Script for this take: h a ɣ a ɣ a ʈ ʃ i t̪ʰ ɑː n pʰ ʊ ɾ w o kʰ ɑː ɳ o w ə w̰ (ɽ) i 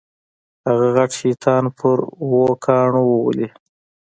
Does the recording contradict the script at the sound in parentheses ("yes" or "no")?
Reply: yes